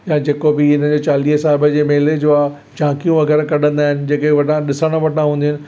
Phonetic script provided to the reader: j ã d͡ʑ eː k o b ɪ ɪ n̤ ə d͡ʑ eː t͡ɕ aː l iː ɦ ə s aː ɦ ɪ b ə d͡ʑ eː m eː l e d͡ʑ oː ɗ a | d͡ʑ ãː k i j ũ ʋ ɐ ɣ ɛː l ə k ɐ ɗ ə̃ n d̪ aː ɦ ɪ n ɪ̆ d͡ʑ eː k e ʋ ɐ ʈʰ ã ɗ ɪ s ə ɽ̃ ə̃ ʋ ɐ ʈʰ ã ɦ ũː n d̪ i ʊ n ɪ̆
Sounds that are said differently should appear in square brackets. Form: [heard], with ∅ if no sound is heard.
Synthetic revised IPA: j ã d͡ʑ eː k o b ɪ ɪ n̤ ə d͡ʑ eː t͡ɕ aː l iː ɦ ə s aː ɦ ɪ b ə d͡ʑ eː m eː l e d͡ʑ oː [∅] a | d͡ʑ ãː k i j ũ ʋ ɐ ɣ ɛː [ɾ] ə k ɐ ɗ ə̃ n d̪ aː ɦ ɪ n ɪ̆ d͡ʑ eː k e ʋ ɐ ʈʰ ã ɗ ɪ s ə ɽ̃ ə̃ ʋ ɐ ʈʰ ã ɦ ũː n d̪ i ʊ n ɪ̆